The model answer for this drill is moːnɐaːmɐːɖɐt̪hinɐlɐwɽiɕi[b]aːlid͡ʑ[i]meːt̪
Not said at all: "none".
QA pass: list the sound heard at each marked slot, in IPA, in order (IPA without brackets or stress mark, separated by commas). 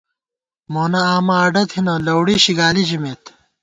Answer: ɡ, i